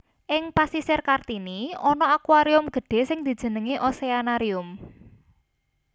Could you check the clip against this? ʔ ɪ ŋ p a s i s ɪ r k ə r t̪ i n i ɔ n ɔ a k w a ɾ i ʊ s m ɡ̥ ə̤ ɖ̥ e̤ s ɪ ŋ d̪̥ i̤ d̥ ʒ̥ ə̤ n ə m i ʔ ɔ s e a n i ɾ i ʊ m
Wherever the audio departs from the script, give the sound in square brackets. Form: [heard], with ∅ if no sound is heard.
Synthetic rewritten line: ʔ ɪ ŋ p a s i s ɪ r k [a] r t̪ i n i ɔ n ɔ a k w a ɾ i ʊ [∅] m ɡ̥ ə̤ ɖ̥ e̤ s ɪ ŋ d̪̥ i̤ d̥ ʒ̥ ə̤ n ə [ŋ] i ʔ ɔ s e a n [a] ɾ i ʊ m